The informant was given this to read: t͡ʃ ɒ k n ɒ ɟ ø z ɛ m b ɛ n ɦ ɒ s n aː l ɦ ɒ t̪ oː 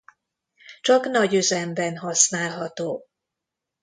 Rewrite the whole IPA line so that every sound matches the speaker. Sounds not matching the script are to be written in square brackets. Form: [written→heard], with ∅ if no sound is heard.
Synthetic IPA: t͡ʃ ɒ k n ɒ ɟ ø z ɛ m b ɛ n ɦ ɒ s n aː l ɦ ɒ t̪ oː